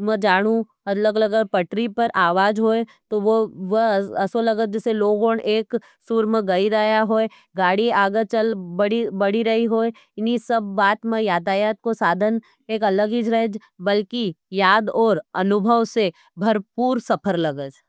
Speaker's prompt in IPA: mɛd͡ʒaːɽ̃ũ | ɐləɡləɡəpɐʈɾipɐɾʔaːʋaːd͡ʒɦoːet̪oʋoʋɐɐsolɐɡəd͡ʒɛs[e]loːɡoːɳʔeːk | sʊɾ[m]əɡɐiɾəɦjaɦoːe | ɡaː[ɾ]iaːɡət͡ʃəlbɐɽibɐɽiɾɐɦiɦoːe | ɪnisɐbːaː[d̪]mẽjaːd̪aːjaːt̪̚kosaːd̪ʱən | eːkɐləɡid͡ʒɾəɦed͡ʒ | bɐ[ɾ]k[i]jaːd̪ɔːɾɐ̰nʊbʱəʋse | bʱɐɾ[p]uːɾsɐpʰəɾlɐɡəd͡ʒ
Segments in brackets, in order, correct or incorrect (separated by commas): correct, correct, incorrect, incorrect, incorrect, correct, correct